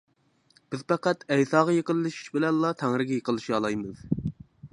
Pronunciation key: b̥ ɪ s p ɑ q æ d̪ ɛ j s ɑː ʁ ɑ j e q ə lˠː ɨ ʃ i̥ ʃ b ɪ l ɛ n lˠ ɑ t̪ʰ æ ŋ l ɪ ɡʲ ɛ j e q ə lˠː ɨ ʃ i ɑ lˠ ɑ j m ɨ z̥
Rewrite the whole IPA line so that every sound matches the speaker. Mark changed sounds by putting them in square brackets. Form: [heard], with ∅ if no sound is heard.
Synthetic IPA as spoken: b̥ ɪ [z] p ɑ q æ [t̪] ɛ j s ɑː ʁ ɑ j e q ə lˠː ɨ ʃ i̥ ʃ b ɪ l ɛ n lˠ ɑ t̪ʰ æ ŋ [ɾ] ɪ ɡʲ ɛ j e q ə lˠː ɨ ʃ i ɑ lˠ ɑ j m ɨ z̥